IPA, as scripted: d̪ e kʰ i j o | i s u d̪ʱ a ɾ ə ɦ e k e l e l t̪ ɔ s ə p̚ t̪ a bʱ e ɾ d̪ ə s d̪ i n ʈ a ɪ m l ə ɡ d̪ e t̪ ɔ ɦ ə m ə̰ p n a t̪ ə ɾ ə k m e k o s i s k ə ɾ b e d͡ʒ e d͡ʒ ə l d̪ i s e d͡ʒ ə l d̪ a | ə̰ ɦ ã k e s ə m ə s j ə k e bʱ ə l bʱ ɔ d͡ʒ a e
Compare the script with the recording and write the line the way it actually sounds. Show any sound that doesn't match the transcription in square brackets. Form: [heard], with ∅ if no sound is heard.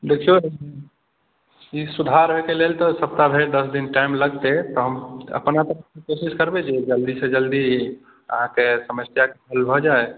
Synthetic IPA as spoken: d̪ e kʰ i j o | i s u d̪ʱ a ɾ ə ɦ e k e l e l t̪ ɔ s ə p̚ t̪ a bʱ e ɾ d̪ ə s d̪ i n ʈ a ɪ m l ə ɡ [t̪] e t̪ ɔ ɦ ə m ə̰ p n a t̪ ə ɾ ə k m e k o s i s k ə ɾ b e d͡ʒ e d͡ʒ ə l d̪ i s e d͡ʒ ə l d̪ [i] | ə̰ ɦ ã k e s ə m ə s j [a] k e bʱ ə l bʱ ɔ d͡ʒ a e